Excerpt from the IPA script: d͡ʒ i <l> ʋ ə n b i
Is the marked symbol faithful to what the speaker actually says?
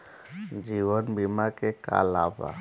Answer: no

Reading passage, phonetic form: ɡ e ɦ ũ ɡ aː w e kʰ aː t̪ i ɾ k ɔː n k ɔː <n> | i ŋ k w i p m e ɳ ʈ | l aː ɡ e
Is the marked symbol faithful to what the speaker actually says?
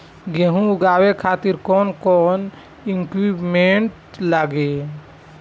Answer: yes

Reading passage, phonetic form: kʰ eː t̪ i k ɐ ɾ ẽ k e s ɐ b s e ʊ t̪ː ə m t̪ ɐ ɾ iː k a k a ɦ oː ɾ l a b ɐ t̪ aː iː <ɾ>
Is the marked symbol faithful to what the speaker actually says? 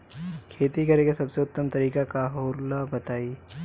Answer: no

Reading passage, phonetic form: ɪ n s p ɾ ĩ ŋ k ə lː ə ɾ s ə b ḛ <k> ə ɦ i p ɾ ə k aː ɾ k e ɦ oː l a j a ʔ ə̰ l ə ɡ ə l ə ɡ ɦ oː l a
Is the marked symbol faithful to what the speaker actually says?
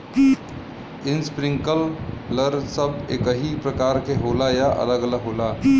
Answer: yes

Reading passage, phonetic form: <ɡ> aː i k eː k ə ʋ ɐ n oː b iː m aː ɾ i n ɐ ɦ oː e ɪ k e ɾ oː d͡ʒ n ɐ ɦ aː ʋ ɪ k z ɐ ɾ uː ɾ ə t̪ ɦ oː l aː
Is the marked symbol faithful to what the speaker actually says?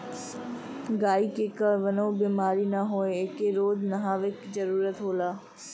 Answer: yes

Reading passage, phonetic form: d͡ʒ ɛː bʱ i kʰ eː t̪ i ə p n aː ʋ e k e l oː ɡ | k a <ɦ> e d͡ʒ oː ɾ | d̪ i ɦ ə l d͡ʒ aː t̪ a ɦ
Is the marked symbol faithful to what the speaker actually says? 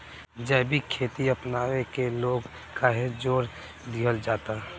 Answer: yes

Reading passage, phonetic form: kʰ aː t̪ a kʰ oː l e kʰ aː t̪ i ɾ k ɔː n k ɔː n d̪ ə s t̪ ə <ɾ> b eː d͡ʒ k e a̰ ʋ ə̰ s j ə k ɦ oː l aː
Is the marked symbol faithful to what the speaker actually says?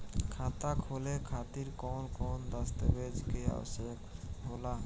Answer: no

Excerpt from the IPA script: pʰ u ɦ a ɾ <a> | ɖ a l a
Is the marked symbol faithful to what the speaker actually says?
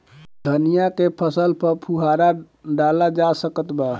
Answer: yes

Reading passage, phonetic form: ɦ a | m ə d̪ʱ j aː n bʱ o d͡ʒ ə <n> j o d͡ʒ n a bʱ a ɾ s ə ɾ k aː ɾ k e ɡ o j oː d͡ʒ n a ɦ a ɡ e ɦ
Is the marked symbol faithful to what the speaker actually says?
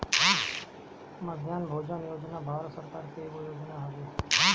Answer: yes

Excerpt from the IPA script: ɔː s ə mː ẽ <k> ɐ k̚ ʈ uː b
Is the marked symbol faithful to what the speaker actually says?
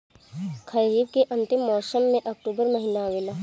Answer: no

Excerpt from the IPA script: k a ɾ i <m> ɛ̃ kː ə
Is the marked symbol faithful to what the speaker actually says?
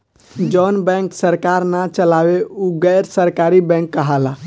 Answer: no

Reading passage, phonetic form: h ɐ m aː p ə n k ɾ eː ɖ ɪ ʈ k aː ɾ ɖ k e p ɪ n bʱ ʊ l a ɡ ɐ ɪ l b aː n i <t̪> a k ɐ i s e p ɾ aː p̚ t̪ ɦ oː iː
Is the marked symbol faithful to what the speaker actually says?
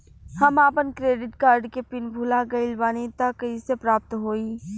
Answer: yes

